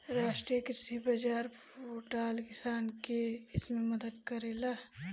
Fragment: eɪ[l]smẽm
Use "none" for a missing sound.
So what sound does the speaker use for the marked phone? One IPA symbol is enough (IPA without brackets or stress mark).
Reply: none